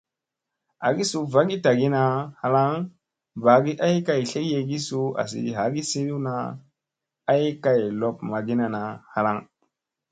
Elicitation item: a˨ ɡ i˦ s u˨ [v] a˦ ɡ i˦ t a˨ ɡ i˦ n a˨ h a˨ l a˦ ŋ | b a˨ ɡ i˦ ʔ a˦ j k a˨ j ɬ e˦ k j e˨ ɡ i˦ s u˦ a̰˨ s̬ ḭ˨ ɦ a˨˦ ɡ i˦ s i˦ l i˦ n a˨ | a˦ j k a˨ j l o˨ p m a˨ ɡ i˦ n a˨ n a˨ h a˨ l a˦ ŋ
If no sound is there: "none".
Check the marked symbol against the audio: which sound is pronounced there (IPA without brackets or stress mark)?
v